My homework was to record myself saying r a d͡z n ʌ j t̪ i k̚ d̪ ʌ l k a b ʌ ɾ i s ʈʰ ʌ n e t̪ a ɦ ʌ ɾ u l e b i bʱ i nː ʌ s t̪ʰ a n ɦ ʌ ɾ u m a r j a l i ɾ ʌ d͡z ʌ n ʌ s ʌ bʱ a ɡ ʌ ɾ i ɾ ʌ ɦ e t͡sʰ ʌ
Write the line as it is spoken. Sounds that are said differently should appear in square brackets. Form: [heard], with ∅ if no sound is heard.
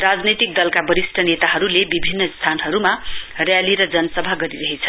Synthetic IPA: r a d͡z n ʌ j t̪ i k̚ d̪ ʌ l k a b ʌ ɾ i s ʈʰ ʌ n e t̪ a ɦ ʌ ɾ u l e b i bʱ i nː ʌ s t̪ʰ a n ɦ ʌ ɾ u m a r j a l i ɾ ʌ d͡z ʌ n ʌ s ʌ bʱ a ɡ ʌ ɾ i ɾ ʌ ɦ e t͡sʰ ʌ